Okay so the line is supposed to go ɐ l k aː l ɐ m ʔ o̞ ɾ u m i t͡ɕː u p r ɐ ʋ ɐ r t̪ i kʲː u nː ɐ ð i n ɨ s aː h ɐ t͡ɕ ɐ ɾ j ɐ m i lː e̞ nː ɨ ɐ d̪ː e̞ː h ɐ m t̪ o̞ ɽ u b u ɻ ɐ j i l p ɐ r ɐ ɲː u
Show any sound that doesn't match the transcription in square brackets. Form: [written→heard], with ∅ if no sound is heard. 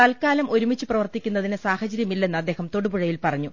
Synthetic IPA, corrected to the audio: ɐ l k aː l ɐ m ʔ o̞ ɾ u m i t͡ɕː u p r ɐ ʋ ɐ r t̪ i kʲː u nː ɐ ð i n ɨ s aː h ɐ t͡ɕ ɐ ɾ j ɐ m i lː e̞ nː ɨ ɐ d̪ː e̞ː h ɐ m t̪ o̞ ɽ u b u ɻ ɐ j i l p ɐ r ɐ ɲː u

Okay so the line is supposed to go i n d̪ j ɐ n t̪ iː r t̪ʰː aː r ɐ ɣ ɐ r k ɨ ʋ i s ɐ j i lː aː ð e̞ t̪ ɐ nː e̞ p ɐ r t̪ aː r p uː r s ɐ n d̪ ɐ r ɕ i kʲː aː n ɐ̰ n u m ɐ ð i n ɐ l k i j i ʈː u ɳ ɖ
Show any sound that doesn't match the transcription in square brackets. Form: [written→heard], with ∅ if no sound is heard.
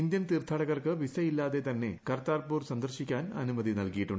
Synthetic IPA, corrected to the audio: i n d̪ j ɐ n t̪ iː r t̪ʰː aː [r→ɽ] ɐ ɣ ɐ r k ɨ ʋ i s ɐ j i lː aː ð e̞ t̪ ɐ nː e̞ [p→k] ɐ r t̪ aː r p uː r s ɐ n d̪ ɐ r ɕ i kʲː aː n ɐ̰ n u m ɐ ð i n ɐ l k i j i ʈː u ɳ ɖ

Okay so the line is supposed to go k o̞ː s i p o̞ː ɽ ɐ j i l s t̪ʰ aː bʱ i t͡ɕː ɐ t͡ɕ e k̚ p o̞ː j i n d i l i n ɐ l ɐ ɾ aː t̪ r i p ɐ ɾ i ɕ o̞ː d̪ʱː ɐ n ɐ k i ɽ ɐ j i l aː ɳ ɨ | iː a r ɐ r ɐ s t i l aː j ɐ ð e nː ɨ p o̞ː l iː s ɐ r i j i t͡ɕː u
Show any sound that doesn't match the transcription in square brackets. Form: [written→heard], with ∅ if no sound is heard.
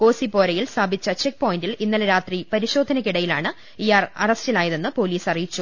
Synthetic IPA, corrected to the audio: k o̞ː s i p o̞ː [ɽ→ɾ] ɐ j i l s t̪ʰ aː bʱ i t͡ɕː ɐ t͡ɕ e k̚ p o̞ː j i n d i l i [n→nː] ɐ l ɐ ɾ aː t̪ r i p ɐ ɾ i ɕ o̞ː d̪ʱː ɐ n ɐ k i ɽ ɐ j i l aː ɳ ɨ | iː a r ɐ r ɐ s t i l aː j ɐ ð e nː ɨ p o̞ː l iː s ɐ r i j i t͡ɕː u

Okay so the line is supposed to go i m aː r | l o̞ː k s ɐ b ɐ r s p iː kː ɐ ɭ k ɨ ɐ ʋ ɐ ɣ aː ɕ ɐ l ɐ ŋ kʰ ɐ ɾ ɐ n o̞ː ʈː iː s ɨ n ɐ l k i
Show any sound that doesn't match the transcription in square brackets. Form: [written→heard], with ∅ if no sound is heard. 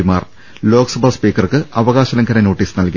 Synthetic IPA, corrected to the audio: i m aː r | l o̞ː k s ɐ b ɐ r s p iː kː ɐ [ɭ→r] k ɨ ɐ ʋ ɐ ɣ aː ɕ ɐ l ɐ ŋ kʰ ɐ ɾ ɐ n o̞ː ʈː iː s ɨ n ɐ l k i

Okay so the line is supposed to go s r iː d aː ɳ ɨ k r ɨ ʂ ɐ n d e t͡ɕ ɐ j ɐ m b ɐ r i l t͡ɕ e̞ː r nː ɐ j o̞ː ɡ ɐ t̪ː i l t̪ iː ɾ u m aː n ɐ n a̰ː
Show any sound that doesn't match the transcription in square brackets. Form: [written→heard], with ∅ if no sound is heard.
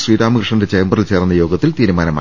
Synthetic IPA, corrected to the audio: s r iː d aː [ɳ→m] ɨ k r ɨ ʂ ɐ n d e t͡ɕ ɐ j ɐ m b ɐ r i l t͡ɕ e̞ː r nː ɐ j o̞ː ɡ ɐ t̪ː i l t̪ iː ɾ u m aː n ɐ [n→m] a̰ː

